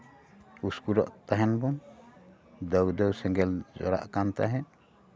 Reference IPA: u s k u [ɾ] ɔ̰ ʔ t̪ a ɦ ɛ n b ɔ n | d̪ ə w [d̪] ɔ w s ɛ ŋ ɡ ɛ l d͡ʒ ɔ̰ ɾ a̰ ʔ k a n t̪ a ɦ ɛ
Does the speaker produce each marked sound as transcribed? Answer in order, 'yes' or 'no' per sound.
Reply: yes, yes

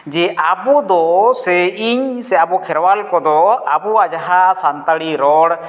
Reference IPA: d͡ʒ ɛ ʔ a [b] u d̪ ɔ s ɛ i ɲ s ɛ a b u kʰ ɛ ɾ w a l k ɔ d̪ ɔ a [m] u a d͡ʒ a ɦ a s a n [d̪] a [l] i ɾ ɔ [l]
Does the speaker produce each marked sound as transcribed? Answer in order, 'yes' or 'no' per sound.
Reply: yes, no, no, no, no

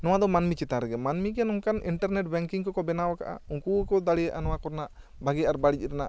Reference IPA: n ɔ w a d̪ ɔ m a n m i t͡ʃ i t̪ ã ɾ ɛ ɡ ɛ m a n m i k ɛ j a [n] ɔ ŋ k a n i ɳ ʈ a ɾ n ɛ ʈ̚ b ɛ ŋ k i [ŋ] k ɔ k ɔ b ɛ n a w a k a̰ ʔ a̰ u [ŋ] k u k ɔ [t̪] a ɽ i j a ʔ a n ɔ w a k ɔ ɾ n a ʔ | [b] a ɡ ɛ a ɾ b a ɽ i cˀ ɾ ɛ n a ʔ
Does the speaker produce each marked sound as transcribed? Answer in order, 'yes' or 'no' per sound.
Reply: yes, yes, yes, no, yes

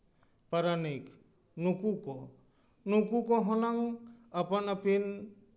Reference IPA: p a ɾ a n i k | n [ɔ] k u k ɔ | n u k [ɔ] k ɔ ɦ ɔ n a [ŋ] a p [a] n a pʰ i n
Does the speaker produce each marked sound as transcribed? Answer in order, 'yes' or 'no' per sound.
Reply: no, no, yes, yes

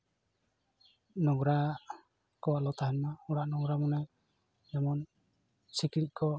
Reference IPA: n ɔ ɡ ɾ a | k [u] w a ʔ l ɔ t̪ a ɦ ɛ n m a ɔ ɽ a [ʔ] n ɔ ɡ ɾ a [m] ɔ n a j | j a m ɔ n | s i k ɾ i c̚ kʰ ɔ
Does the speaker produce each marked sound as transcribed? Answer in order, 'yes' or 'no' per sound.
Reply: no, yes, yes

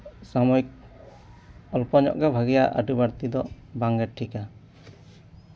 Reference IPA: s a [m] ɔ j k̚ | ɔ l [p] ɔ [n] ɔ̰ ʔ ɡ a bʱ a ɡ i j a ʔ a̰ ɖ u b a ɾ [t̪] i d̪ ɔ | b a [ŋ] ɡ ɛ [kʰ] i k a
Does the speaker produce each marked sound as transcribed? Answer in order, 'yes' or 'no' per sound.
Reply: yes, yes, no, yes, yes, no

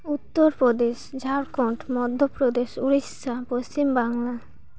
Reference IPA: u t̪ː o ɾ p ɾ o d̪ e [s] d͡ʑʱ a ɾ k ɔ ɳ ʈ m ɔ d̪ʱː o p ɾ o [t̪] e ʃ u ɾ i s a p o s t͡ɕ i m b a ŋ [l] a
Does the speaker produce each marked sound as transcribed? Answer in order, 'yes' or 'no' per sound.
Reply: no, no, yes

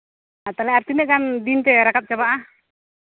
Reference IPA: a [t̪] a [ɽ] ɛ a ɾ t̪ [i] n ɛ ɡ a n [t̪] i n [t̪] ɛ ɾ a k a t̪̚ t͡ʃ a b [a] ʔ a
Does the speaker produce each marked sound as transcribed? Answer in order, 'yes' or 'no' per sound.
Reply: yes, no, yes, no, yes, yes

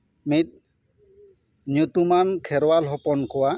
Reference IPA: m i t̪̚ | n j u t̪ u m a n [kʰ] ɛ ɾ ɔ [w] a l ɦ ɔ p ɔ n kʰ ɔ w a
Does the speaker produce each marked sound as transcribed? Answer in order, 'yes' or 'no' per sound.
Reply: yes, yes

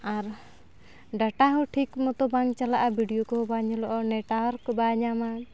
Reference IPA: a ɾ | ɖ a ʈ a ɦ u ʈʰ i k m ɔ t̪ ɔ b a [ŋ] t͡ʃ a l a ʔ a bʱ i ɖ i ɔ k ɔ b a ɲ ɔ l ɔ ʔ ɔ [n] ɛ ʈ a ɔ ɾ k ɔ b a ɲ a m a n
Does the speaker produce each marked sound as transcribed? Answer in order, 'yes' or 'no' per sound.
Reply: yes, yes

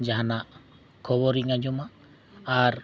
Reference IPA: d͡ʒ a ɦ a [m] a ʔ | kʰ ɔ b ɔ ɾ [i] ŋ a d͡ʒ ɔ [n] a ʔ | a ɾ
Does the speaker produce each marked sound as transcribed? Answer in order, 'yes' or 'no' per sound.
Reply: no, yes, no

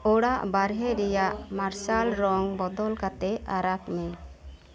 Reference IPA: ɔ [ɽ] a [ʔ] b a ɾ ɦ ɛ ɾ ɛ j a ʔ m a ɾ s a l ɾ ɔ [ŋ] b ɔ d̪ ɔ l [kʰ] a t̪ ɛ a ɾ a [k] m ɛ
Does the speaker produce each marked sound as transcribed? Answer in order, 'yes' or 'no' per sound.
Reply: yes, yes, yes, no, yes

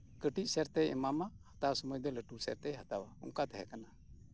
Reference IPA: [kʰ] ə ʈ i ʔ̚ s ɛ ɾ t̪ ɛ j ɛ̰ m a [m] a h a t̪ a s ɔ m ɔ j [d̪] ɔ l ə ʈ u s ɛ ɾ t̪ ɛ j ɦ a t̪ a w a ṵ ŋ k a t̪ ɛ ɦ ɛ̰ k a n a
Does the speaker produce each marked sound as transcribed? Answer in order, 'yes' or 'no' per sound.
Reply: no, yes, yes

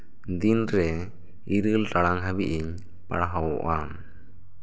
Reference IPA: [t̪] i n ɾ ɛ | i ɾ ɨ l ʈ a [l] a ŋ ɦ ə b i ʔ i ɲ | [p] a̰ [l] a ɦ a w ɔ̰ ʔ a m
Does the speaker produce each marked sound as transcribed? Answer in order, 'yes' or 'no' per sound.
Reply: no, no, yes, no

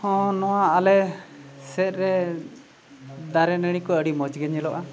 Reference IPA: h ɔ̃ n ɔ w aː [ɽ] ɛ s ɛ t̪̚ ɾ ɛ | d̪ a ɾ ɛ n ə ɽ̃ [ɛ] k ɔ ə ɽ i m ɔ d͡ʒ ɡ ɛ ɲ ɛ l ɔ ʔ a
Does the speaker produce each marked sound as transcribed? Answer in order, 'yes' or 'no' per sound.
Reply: no, no

